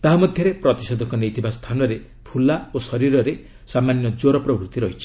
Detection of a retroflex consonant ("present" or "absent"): absent